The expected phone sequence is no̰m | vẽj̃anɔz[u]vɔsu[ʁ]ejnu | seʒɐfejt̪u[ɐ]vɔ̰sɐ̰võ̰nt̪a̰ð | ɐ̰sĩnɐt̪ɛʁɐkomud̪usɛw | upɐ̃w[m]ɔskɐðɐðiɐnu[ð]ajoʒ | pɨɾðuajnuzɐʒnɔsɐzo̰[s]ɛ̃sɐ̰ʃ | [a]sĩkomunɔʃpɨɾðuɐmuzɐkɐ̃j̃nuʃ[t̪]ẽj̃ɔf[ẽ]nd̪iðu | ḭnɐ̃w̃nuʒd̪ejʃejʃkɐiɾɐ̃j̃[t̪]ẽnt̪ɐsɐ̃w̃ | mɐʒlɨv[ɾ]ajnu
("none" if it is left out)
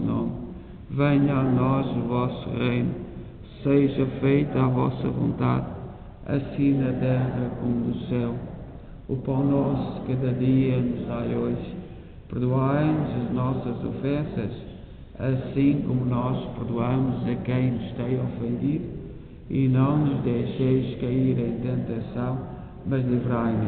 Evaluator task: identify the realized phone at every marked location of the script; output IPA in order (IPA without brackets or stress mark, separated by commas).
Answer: u, ʁ, a, n, z, f, ɐ, t̪, ẽ, t̪, ɾ